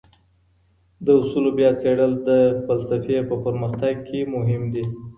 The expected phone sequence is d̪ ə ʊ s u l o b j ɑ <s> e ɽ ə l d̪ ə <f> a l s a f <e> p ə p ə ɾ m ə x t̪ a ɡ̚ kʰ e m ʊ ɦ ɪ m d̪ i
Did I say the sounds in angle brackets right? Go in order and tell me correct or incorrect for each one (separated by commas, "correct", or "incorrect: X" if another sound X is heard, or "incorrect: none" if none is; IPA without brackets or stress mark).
incorrect: t͡s, correct, correct